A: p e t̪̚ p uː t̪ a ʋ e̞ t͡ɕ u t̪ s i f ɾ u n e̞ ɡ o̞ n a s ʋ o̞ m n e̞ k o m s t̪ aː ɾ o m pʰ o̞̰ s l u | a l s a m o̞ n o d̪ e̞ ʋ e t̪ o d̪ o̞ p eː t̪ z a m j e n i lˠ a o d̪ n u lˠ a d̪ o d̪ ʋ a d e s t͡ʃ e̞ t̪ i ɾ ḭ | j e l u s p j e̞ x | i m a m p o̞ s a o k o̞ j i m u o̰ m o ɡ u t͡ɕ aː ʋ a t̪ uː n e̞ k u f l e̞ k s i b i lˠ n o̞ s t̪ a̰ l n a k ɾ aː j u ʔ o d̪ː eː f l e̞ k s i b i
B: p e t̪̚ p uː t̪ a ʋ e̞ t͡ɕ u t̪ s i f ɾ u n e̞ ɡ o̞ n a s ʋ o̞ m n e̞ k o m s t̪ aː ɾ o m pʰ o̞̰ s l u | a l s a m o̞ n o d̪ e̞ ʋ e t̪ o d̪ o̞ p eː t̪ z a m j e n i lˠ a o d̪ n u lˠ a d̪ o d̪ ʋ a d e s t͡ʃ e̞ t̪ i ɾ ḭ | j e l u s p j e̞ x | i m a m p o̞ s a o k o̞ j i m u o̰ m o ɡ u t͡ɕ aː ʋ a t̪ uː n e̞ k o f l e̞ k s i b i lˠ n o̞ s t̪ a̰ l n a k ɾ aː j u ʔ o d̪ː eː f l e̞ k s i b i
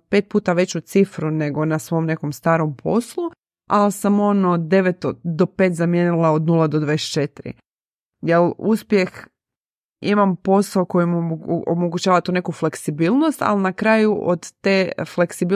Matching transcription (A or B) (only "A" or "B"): A